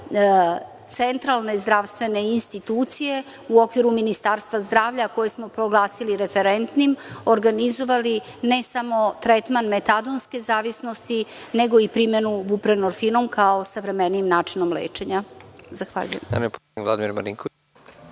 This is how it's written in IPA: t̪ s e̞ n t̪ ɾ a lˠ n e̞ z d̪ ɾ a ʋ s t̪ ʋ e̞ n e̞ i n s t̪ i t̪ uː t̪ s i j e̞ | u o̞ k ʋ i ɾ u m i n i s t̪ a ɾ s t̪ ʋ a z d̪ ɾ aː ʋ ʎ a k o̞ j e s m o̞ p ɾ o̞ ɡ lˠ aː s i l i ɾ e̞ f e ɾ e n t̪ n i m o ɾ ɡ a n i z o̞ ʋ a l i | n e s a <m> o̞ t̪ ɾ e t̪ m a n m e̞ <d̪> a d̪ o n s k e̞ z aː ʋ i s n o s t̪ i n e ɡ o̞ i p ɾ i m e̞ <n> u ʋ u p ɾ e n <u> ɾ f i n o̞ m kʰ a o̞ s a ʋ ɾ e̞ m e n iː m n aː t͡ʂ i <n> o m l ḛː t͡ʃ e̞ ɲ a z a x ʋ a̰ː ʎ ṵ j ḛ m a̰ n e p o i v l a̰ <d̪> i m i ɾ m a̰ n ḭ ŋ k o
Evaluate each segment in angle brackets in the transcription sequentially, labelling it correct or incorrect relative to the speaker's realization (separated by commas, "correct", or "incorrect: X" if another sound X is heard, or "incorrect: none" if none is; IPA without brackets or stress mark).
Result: correct, incorrect: t̪, correct, incorrect: o, correct, correct